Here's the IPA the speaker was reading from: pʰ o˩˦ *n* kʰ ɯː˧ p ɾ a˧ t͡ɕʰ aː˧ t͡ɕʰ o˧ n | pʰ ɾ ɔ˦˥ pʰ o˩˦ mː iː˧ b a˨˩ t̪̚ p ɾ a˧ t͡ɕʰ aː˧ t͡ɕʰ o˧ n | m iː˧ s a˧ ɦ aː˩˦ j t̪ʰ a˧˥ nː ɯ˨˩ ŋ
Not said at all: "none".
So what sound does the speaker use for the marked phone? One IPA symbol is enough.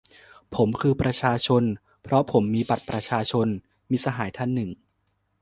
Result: m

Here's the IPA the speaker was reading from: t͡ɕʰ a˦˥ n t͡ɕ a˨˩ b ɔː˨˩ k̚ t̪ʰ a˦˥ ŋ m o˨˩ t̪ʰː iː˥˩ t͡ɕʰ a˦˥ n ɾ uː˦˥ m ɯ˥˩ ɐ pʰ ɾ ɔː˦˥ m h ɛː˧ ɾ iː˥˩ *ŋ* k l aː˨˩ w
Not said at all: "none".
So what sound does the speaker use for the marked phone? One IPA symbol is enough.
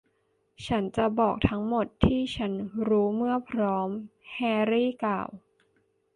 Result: none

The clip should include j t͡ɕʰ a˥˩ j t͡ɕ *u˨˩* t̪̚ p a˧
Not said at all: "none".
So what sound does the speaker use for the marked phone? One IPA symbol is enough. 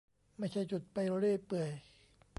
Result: u˨˩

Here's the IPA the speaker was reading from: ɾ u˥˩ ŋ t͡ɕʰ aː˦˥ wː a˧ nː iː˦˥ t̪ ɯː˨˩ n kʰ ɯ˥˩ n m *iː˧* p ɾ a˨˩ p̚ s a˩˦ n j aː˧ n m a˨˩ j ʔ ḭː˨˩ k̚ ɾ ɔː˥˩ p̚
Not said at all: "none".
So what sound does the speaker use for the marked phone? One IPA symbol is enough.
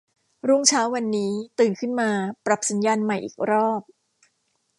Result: aː˧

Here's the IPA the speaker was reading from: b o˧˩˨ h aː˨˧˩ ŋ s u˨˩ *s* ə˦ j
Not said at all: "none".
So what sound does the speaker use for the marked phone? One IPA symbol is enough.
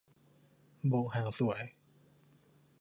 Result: none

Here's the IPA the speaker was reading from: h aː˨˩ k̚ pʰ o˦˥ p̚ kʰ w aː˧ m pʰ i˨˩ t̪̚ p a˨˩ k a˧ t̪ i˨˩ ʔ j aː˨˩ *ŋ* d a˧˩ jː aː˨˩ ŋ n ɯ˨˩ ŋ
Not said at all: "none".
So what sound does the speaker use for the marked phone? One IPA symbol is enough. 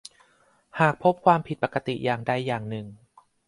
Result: ŋ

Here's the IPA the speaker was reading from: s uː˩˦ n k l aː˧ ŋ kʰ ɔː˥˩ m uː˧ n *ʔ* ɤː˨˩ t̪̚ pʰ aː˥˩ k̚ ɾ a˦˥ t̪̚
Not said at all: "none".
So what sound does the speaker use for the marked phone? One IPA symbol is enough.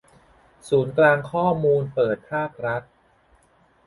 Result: p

